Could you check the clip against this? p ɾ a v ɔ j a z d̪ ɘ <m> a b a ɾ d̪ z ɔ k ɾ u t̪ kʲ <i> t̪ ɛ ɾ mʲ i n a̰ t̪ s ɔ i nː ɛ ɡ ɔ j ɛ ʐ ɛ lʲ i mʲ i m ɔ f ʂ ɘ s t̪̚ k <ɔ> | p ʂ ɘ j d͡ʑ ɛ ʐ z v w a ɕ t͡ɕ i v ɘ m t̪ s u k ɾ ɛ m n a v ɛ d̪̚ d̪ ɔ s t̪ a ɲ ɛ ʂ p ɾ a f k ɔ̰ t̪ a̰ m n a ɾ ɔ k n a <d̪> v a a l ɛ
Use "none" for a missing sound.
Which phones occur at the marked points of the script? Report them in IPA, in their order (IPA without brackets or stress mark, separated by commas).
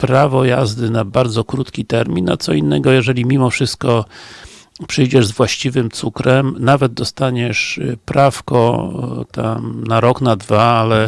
n, i, ɔ, d̪